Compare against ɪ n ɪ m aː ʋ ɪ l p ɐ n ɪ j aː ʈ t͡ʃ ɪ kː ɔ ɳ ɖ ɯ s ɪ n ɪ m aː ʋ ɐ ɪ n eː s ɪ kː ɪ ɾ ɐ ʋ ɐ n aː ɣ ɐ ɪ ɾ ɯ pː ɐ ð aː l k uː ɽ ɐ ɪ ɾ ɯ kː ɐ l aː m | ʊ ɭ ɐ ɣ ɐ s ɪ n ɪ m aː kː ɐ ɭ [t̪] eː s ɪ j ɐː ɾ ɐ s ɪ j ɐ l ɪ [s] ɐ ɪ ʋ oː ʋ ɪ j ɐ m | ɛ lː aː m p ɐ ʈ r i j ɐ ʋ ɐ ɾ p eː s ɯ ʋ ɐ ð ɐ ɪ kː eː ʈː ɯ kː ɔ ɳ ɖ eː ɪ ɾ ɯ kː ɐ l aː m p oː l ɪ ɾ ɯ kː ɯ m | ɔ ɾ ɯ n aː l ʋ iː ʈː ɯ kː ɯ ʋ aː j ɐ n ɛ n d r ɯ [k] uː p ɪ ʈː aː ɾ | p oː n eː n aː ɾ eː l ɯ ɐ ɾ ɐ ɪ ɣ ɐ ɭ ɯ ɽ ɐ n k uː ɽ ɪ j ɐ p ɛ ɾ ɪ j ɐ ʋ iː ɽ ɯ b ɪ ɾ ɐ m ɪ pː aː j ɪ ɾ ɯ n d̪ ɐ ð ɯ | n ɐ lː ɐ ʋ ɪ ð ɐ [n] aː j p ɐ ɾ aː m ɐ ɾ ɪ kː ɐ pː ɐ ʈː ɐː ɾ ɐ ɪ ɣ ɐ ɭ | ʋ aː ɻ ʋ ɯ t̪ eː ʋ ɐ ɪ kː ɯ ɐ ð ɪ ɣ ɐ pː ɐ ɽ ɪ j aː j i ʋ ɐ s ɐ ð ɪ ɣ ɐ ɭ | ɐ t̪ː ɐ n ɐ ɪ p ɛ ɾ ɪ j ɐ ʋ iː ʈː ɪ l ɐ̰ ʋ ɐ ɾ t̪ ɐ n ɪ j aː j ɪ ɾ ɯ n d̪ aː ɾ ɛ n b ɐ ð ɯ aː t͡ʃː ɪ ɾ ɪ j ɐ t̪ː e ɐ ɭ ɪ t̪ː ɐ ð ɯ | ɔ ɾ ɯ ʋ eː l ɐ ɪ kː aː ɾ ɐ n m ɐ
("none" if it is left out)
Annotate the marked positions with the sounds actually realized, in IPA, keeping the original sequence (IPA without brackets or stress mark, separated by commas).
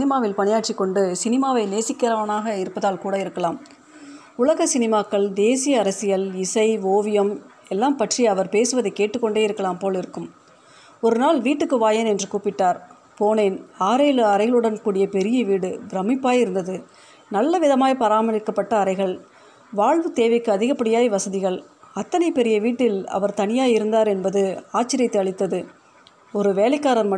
d̪, s, k, m